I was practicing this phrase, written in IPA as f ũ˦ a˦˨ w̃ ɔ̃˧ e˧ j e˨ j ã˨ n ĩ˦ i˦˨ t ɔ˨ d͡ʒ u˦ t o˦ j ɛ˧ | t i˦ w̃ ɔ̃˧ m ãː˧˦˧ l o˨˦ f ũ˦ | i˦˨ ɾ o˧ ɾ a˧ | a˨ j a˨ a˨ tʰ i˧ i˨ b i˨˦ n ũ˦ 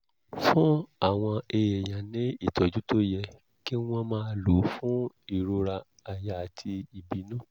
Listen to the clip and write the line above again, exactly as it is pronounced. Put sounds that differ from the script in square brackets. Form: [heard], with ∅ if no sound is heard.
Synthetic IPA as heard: f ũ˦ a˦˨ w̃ ɔ̃˧ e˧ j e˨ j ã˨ n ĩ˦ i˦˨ t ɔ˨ d͡ʒ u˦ t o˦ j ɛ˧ | [k] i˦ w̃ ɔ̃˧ m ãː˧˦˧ l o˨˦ f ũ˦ | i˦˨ ɾ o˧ ɾ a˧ | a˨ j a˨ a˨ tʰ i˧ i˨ b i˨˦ n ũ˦

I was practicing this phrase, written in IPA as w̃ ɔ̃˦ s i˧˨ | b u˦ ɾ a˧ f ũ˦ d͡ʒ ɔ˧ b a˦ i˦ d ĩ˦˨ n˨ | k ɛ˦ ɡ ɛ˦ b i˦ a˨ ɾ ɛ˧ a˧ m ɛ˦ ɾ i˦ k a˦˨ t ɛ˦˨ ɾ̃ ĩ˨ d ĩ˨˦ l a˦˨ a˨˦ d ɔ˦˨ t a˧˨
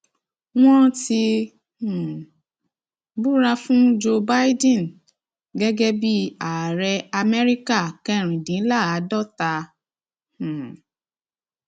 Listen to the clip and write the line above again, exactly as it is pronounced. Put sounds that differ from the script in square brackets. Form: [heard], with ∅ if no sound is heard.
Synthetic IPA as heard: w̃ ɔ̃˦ [t] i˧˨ | b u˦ ɾ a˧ f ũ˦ d͡ʒ [o˧] b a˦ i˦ d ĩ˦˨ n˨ | [ɡ] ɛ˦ ɡ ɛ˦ b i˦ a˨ ɾ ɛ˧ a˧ m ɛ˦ ɾ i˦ k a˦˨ [k] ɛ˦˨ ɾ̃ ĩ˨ d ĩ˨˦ l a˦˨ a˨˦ d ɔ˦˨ t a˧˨

